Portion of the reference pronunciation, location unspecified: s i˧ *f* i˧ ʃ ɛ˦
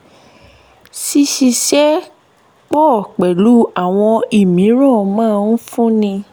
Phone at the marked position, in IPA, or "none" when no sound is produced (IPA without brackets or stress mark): ʃ